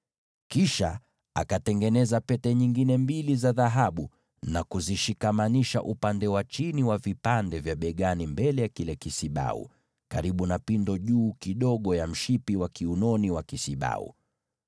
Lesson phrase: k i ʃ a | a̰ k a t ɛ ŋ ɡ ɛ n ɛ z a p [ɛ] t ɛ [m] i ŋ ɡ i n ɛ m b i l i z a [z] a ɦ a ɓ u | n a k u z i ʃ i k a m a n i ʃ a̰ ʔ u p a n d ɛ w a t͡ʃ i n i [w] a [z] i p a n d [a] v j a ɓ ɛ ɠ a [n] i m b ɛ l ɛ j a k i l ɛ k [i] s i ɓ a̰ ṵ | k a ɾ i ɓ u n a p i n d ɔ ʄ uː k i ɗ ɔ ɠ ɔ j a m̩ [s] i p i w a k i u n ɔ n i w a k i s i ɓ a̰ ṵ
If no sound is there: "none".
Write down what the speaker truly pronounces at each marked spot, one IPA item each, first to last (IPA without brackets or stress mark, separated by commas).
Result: ɛ, ɲ, ð, w, v, ɛ, n, i, ʃ